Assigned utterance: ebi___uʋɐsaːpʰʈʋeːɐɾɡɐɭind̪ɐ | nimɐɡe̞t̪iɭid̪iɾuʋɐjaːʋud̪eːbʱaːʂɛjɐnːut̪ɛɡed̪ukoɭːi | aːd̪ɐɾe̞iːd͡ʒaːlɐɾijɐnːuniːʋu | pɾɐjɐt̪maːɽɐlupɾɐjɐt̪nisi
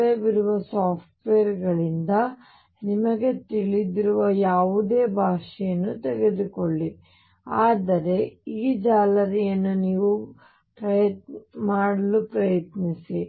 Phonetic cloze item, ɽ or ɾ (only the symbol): ɾ